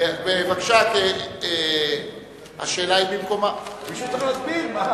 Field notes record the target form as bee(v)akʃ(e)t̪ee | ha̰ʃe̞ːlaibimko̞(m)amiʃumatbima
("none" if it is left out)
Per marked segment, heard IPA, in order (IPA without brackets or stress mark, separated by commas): v, a, m